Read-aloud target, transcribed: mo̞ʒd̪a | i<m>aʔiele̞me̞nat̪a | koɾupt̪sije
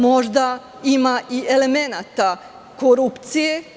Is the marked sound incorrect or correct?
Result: correct